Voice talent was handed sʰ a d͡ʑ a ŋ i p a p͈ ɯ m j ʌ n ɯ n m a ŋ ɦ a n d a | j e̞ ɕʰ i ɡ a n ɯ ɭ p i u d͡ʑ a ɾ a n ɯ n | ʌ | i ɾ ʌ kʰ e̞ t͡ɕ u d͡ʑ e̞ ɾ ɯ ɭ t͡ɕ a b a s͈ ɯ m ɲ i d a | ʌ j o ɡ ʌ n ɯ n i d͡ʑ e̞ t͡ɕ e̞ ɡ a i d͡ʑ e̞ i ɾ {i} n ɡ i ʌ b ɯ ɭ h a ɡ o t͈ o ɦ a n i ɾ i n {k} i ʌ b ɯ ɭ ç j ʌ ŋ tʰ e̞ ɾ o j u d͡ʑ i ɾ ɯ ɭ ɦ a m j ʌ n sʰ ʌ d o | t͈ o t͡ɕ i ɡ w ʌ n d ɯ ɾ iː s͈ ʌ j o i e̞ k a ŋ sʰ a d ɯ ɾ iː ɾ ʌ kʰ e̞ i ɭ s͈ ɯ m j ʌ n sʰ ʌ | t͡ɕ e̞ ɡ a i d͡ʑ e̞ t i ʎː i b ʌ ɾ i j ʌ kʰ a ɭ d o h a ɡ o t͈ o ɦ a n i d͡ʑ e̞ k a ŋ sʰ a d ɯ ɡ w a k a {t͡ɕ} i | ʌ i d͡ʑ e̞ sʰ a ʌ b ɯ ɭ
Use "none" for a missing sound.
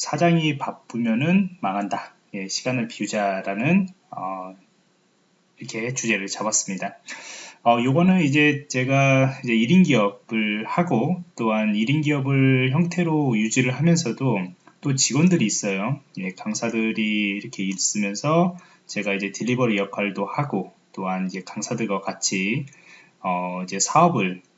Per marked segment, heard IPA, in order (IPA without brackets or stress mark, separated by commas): i, ɡ, t͡ɕʰ